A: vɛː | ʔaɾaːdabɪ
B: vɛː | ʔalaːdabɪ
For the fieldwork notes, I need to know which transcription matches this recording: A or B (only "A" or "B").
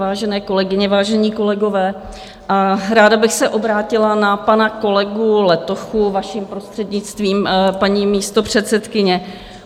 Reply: A